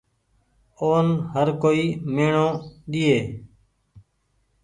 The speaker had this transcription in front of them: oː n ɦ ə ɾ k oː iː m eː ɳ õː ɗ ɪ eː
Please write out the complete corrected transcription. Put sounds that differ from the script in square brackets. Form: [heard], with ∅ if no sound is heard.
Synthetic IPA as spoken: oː n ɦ ə ɾ k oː iː m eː ɳ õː ɗ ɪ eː